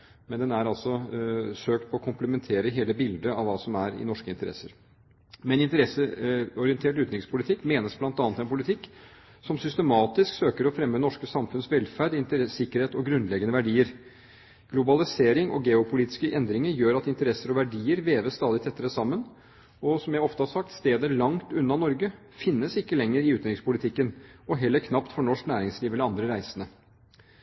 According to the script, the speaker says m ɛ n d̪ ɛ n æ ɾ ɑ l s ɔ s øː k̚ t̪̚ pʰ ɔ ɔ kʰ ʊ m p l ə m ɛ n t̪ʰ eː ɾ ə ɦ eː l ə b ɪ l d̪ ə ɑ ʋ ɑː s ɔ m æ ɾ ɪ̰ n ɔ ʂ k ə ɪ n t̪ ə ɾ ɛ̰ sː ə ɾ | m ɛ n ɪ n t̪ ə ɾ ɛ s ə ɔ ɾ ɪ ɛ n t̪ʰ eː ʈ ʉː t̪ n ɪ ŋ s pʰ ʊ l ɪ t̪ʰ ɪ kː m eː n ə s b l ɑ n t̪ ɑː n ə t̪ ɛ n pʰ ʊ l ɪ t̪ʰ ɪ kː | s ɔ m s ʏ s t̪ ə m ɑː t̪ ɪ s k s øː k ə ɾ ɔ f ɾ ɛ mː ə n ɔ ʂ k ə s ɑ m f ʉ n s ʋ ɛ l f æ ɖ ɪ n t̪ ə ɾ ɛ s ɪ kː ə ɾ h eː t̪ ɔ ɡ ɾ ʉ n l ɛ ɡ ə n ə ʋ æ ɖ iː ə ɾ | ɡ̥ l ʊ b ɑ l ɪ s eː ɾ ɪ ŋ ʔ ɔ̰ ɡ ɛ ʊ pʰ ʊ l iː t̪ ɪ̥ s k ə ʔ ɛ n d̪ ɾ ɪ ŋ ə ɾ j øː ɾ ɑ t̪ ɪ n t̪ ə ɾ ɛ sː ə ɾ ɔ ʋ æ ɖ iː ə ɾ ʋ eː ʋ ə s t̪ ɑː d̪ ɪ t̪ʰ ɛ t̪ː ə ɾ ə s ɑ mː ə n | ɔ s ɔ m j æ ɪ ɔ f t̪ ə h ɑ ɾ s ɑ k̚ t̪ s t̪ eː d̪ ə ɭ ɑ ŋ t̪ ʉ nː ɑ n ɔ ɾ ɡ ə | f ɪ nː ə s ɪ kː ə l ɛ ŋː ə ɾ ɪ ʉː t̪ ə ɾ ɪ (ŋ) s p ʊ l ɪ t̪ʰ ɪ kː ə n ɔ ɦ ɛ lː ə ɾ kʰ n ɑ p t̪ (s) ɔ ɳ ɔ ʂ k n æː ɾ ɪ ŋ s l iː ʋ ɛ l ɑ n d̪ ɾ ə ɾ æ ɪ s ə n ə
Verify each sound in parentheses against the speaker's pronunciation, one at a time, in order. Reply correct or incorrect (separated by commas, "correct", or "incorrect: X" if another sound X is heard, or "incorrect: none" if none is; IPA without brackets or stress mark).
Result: correct, incorrect: f